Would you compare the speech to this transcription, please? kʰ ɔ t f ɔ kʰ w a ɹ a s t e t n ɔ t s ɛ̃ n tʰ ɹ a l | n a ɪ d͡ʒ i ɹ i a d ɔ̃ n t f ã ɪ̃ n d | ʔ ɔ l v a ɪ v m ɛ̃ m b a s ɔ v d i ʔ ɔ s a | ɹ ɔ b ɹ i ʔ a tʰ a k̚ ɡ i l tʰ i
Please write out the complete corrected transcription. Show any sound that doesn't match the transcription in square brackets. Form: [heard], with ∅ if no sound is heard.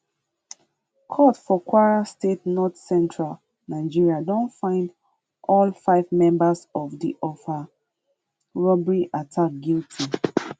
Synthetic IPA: kʰ ɔ t f ɔ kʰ w a ɹ a s t e t n ɔ t s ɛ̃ n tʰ ɹ a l | n a ɪ d͡ʒ i ɹ i a d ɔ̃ n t f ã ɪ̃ n d | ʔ ɔ l [f] a ɪ v m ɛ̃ m b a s ɔ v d i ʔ ɔ [f] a | ɹ ɔ b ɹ i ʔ a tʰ a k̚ ɡ i l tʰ i

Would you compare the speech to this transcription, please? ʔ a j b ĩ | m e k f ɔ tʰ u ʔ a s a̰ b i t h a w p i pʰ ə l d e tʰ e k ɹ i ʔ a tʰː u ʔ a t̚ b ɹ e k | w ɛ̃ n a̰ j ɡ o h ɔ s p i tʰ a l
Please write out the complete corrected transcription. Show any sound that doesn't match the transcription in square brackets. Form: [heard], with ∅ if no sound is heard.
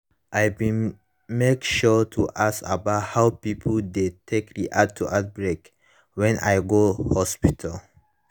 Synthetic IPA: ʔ a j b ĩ | m e k [ʃ] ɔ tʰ u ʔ a s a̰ b [a] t h a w p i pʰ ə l d e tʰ e k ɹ i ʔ a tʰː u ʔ a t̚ b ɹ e k | w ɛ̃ n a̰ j ɡ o h ɔ s p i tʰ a l

